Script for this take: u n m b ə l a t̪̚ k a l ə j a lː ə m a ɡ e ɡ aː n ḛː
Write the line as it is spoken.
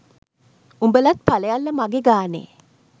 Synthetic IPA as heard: u m b ə l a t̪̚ p a l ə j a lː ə m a ɡ e ɡ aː n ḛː